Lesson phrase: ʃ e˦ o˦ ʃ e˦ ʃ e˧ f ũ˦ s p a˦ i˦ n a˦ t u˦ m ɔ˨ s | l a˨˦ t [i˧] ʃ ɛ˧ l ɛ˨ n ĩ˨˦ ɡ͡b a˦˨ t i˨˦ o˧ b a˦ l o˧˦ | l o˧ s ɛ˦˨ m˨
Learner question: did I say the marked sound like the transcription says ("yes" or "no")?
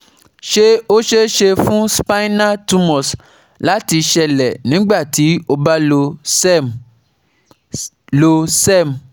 yes